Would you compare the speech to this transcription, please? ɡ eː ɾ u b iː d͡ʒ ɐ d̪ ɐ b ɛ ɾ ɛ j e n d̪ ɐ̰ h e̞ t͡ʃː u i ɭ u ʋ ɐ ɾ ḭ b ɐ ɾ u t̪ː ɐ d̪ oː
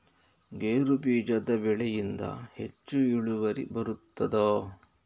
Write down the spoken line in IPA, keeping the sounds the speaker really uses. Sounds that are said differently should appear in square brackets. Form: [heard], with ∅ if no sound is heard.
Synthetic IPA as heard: ɡ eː ɾ u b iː d͡ʒ ɐ d̪ ɐ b ɛ [ɭ] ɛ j [i] n d̪ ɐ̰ h e̞ t͡ʃː u i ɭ u ʋ ɐ ɾ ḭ b ɐ ɾ u t̪ː ɐ d̪ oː